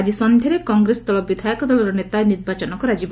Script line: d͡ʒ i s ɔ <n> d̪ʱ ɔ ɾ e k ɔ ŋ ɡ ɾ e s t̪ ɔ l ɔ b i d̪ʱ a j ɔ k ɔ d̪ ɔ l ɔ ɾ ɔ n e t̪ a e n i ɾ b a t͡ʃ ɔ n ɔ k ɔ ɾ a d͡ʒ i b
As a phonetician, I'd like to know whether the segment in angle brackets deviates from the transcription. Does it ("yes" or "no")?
no